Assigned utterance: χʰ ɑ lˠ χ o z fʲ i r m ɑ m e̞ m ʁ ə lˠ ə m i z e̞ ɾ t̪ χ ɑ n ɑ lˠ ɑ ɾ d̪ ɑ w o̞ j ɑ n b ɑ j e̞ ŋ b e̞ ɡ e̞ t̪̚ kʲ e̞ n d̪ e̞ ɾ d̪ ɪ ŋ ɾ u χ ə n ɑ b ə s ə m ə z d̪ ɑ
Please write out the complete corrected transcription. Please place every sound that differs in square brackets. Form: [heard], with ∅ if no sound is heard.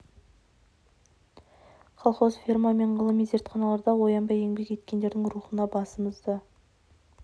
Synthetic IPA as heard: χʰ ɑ lˠ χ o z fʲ i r m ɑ m e̞ [ɴ] ʁ ə lˠ ə m i z e̞ ɾ t̪ χ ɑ n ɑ lˠ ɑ ɾ d̪ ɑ w o̞ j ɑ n b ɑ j e̞ ŋ b e̞ [k] e̞ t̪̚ kʲ e̞ n d̪ e̞ ɾ d̪ ɪ ŋ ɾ u χ ə n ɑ b [ɑ] s ə m ə z d̪ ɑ